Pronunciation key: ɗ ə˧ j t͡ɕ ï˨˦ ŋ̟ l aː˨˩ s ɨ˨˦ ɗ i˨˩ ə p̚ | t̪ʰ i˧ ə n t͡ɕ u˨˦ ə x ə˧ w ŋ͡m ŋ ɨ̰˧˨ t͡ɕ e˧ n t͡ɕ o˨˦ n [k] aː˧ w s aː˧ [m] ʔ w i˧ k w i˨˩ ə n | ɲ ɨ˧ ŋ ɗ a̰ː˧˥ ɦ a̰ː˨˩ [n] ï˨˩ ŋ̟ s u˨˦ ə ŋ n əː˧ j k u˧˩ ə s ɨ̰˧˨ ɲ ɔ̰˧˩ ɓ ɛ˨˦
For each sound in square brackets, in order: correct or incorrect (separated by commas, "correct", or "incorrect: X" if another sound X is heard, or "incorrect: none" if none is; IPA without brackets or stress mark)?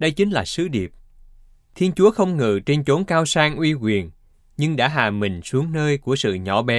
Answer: correct, incorrect: ŋ, incorrect: m